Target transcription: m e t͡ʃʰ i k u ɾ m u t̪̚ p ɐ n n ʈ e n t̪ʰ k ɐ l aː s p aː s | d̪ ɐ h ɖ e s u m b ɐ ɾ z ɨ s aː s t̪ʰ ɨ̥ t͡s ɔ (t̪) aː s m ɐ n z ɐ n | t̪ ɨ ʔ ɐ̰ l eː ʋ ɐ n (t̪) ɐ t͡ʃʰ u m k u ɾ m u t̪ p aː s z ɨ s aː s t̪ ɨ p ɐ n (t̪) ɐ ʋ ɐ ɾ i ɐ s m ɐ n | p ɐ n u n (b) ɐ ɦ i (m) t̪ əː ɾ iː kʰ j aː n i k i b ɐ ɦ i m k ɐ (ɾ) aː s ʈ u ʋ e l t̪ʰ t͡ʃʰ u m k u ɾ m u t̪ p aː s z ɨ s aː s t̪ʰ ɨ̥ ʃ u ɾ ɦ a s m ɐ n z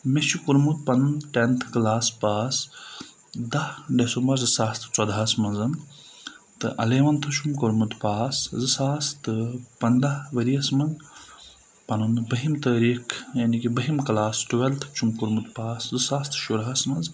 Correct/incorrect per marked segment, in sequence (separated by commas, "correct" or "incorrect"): incorrect, incorrect, incorrect, correct, correct, incorrect